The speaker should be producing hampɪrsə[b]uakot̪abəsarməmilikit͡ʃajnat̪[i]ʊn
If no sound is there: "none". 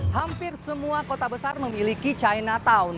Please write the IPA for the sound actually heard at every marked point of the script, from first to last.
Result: m, a

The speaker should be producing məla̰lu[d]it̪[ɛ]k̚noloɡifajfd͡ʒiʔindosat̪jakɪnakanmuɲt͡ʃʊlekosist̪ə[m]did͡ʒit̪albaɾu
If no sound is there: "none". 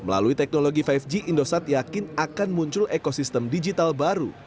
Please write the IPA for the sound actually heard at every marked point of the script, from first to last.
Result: none, ɛ, m

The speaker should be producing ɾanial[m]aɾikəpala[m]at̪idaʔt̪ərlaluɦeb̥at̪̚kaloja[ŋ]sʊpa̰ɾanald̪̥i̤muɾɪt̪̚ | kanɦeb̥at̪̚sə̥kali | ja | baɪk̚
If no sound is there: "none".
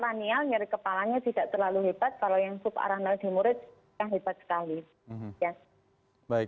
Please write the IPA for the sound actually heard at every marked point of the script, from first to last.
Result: ɲ, ɲ, ŋ

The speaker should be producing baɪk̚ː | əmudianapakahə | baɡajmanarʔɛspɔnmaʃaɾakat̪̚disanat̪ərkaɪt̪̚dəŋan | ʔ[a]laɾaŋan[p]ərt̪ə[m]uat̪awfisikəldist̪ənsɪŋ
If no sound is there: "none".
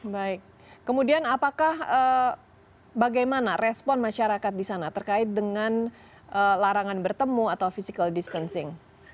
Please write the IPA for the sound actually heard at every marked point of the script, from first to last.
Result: ə, b, m

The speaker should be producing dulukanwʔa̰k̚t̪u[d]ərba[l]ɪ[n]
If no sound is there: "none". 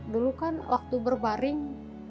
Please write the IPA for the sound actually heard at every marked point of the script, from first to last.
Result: b, ɾ, ŋ

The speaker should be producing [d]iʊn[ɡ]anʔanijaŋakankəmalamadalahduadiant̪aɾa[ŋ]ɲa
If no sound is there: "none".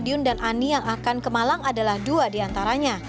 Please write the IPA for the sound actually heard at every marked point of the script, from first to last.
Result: d, d, none

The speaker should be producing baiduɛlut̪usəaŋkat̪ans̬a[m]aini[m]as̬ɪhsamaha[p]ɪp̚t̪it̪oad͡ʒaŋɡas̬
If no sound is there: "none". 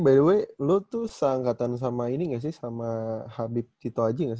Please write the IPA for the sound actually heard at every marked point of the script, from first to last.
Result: m, ŋ, b

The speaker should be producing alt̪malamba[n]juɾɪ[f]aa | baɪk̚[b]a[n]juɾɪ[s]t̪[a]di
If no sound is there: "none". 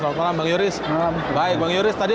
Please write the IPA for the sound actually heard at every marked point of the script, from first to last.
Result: ŋ, s, b, ŋ, s, a

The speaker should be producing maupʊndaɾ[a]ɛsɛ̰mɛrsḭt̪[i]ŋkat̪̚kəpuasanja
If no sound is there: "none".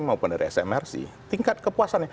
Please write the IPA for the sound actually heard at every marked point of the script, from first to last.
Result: i, i

